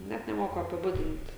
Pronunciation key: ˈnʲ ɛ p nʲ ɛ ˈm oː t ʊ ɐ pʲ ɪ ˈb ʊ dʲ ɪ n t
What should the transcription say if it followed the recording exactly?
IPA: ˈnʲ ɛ t nʲ ɛ ˈm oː k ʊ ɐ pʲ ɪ ˈb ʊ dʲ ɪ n t